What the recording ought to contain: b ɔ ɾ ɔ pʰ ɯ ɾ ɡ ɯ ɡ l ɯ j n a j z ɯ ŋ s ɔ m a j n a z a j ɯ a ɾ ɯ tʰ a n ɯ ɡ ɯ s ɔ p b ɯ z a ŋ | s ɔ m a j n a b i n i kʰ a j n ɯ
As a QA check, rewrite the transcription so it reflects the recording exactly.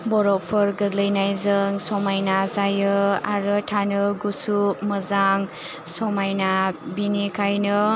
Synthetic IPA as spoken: b ɔ ɾ ɔ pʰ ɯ ɾ ɡ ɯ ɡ l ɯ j n a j z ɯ ŋ s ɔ m a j n a z a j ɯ a ɾ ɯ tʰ a n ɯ ɡ u s u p m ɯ z a ŋ | s ɔ m a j n a b i n i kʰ a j n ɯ